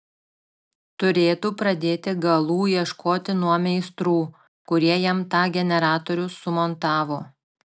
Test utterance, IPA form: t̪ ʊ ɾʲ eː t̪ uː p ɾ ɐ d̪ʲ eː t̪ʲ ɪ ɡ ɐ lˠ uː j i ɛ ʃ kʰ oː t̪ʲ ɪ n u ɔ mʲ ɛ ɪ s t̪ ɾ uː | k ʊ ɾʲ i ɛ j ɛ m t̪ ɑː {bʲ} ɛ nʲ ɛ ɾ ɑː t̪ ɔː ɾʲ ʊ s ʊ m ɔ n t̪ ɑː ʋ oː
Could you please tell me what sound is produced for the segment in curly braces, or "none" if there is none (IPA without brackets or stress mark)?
ɡʲ